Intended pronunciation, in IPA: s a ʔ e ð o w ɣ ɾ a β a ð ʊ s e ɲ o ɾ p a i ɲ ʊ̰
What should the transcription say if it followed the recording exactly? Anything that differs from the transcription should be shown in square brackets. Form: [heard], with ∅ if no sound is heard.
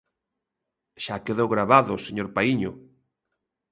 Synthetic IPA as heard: [ʃ] a [k] e ð o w ɣ ɾ a β a ð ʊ s e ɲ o ɾ p a i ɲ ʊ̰